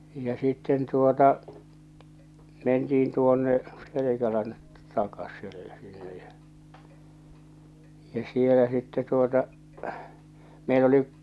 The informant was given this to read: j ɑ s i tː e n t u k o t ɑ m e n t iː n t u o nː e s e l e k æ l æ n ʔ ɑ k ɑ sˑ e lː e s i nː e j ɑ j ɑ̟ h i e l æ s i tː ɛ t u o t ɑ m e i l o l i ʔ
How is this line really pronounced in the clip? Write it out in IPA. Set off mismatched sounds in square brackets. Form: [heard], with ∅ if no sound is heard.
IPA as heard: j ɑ s i tː e n t u [∅] o t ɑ m e n t iː n t u o nː e s e l e k æ l æ n [t] ɑ k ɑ sˑ e lː e s i nː e j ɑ j ɑ̟ [s] i e l æ s i tː ɛ t u o t ɑ m e i l o l i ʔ